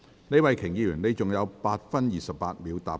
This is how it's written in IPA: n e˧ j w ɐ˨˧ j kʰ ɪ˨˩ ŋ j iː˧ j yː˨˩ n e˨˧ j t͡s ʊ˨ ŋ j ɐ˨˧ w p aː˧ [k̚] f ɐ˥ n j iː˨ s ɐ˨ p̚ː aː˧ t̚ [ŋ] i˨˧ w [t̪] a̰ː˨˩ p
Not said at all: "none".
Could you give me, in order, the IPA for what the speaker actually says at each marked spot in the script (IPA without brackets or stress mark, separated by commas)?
t̚, m, t̪